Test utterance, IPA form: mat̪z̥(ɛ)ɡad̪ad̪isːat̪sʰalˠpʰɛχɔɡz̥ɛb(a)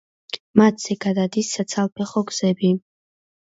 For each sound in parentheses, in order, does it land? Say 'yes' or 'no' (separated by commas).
yes, no